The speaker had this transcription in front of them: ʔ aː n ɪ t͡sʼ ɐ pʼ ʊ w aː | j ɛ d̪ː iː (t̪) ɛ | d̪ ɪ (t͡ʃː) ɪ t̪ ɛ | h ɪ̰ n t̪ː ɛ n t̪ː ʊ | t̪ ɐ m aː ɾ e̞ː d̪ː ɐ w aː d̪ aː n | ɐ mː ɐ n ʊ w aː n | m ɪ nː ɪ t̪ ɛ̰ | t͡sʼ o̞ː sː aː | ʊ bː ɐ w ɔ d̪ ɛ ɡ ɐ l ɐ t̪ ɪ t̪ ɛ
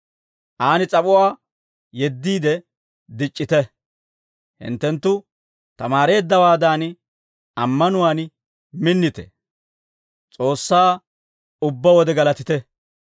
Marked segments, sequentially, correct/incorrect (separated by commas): incorrect, incorrect